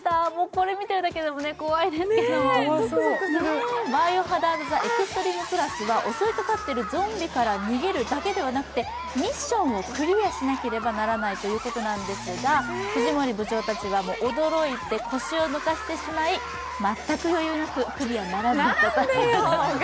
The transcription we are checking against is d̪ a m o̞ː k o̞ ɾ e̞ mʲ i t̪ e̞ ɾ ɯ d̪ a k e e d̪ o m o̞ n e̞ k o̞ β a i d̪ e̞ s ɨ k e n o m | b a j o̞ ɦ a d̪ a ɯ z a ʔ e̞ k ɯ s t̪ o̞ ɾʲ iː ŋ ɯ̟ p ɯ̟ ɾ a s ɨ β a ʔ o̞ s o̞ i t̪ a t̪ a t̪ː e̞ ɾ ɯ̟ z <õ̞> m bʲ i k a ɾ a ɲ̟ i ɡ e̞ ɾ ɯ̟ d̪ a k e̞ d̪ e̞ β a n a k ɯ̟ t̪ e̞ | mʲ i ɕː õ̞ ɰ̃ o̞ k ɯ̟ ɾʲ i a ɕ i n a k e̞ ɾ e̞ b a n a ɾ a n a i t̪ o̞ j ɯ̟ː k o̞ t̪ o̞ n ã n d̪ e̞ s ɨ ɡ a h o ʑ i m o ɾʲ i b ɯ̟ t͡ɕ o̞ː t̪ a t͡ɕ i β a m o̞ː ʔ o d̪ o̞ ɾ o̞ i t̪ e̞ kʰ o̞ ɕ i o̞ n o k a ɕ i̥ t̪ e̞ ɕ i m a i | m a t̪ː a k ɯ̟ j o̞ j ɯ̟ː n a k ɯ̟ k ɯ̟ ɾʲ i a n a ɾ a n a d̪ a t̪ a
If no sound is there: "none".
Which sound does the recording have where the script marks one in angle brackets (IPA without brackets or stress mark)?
õ̞